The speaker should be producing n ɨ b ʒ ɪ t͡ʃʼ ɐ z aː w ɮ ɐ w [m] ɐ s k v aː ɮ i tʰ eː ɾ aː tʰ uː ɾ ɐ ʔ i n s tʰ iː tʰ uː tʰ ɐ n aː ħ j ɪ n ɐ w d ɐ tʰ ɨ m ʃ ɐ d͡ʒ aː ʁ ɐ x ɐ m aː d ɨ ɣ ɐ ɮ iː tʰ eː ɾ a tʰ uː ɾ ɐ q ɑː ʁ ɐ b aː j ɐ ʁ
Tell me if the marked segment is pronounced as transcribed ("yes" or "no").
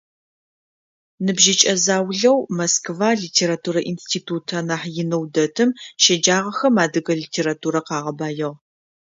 yes